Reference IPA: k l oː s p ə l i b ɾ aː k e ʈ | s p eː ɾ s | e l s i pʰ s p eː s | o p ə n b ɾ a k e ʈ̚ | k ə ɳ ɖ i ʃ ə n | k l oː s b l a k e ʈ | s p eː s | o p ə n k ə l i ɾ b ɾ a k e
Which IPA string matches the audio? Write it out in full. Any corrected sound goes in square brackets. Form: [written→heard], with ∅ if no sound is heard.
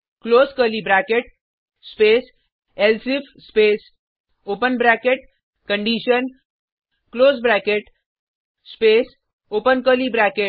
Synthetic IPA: k l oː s [p→k] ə l i b ɾ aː k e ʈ | s p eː [ɾ→∅] s | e l s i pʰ s p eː s | o p ə n b ɾ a k e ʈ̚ | k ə ɳ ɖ i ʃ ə n | k l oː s b [l→ɾ] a k e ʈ | s p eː s | o p ə n k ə l i [ɾ→∅] b ɾ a k e

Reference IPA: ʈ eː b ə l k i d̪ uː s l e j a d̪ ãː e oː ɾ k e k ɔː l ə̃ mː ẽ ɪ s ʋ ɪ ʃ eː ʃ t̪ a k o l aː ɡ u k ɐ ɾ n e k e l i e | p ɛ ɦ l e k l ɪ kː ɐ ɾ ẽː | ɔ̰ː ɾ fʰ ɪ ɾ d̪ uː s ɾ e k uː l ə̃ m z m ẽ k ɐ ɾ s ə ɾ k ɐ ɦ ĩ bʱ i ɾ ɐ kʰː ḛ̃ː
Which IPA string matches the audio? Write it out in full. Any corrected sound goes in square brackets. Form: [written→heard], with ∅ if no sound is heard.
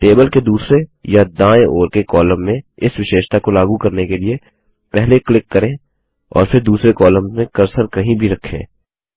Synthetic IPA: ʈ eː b ə l k [i→e] d̪ uː s [l→ɾ] e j a d̪ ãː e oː ɾ k e k ɔː l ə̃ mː ẽ ɪ s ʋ ɪ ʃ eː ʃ t̪ a k o l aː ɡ u k ɐ ɾ n e k e l i e | p ɛ ɦ l e k l ɪ kː ɐ ɾ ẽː | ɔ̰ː ɾ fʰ ɪ ɾ d̪ uː s ɾ e k [uː→ɔː] l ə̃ m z m ẽ k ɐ ɾ s ə ɾ k ɐ ɦ ĩ bʱ i ɾ ɐ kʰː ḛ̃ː

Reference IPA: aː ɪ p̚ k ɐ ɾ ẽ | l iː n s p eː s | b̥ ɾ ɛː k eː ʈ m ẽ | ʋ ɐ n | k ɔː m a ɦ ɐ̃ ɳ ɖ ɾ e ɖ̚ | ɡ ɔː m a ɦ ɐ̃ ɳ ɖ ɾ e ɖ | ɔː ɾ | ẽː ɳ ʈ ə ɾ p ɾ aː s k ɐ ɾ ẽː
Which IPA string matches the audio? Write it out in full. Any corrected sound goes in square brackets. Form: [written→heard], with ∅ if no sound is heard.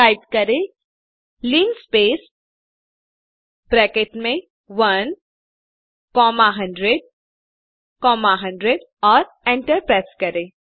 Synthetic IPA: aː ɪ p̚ k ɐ ɾ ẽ | l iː n s p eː s | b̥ ɾ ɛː k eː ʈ m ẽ | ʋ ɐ n | k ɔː m a ɦ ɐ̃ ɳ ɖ ɾ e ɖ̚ | [ɡ→k] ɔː m a ɦ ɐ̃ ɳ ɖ ɾ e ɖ | ɔː ɾ | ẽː ɳ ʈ ə ɾ p ɾ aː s k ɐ ɾ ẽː

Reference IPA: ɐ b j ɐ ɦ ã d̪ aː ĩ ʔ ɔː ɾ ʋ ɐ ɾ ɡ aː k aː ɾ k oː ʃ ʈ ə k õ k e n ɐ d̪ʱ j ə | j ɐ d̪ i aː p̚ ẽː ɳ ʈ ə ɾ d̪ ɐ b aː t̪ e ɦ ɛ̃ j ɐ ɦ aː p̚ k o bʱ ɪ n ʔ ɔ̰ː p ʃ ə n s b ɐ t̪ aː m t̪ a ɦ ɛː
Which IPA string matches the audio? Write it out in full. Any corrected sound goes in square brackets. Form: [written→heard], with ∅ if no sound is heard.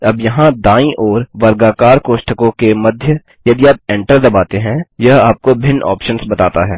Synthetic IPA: ɐ b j ɐ ɦ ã d̪ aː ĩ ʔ ɔː ɾ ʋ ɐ ɾ ɡ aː k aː ɾ k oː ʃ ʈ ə k õ k e [n→m] ɐ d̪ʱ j ə | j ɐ d̪ i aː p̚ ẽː ɳ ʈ ə ɾ d̪ ɐ b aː t̪ e ɦ ɛ̃ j ɐ ɦ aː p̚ k o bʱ ɪ n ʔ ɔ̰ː p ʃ ə n s b ɐ t̪ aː [m→∅] t̪ a ɦ ɛː

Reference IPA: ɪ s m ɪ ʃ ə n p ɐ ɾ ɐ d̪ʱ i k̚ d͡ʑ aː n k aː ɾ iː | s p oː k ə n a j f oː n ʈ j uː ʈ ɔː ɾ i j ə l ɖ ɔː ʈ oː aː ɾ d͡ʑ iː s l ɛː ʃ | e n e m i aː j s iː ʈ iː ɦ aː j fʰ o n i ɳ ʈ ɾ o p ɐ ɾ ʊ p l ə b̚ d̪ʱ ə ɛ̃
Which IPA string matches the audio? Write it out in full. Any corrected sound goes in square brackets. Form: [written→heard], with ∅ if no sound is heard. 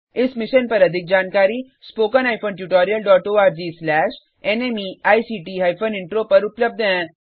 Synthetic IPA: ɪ s m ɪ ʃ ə n p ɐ ɾ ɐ d̪ʱ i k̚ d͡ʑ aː n k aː ɾ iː | s p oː k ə n a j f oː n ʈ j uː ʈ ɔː ɾ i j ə l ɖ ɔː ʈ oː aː ɾ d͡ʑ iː s l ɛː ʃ | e n e m i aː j s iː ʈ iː ɦ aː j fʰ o n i ɳ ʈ ɾ o p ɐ ɾ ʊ p l ə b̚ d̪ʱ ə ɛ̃

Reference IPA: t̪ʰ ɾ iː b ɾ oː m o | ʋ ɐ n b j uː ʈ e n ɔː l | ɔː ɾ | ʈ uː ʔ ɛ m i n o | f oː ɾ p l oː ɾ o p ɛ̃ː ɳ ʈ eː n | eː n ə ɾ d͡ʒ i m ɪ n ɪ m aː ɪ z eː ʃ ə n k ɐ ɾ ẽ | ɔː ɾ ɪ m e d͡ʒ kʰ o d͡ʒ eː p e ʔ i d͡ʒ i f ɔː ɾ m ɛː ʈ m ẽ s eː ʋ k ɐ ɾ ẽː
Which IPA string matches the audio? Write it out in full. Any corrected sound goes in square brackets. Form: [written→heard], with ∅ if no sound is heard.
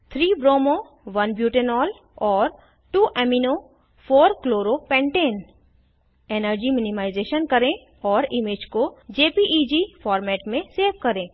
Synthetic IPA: t̪ʰ ɾ iː b ɾ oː m o | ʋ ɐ n b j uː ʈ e n ɔː l | ɔː ɾ | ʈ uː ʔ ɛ m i n o | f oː ɾ [p→k] l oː ɾ o p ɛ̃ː ɳ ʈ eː n | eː n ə ɾ d͡ʒ i m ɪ n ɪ m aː ɪ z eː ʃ ə n k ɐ ɾ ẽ | ɔː ɾ ɪ m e d͡ʒ [kʰ→k] o d͡ʒ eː p [e→i] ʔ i d͡ʒ i f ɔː ɾ m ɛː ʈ m ẽ s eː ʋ k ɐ ɾ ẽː

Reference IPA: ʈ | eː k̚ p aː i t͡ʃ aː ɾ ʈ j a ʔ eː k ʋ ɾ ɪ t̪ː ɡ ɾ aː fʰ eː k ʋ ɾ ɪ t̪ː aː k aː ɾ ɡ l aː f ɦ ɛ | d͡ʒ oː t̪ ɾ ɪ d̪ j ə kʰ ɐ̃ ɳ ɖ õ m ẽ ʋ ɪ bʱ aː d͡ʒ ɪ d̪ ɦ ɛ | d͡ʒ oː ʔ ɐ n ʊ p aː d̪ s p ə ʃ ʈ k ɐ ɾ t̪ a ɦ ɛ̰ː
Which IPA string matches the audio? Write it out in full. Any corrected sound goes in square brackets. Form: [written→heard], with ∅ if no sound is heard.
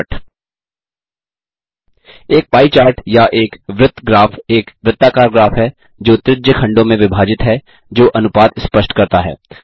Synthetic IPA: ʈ | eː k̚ p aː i t͡ʃ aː ɾ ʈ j a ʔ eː k ʋ ɾ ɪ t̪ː ɡ ɾ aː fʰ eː k ʋ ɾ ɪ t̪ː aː k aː ɾ ɡ [l→ɾ] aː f ɦ ɛ | d͡ʒ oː t̪ ɾ ɪ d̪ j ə kʰ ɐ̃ ɳ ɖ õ m ẽ ʋ ɪ bʱ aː d͡ʒ ɪ [d̪→t̪] ɦ ɛ | d͡ʒ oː ʔ ɐ n ʊ p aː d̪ s p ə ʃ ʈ k ɐ ɾ t̪ a ɦ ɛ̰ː

